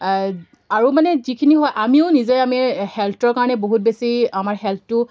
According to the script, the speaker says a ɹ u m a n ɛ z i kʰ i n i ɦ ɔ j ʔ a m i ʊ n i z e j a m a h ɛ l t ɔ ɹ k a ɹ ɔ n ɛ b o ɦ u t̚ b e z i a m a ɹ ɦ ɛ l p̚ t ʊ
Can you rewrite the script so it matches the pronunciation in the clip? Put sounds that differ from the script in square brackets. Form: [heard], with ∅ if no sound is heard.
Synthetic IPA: a ɹ u m a n ɛ z i kʰ i n i ɦ ɔ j ʔ a m i ʊ n i z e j a m [i] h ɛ l t ɔ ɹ k a ɹ ɔ n ɛ b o ɦ u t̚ b e [s] i a m a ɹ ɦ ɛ l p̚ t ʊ